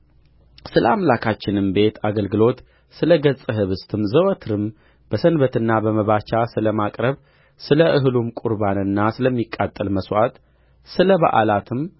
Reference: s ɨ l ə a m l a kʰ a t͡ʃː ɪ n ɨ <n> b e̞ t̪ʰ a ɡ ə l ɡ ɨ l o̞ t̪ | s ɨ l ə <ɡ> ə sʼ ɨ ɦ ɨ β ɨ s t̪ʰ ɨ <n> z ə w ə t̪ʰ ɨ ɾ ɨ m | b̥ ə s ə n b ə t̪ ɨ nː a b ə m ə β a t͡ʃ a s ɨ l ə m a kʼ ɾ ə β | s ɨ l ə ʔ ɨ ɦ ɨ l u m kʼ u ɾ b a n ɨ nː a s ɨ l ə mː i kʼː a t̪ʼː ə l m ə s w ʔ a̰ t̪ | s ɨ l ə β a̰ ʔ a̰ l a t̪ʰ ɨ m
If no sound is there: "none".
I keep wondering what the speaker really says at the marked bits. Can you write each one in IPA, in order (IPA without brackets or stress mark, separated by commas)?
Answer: m, ɡ, m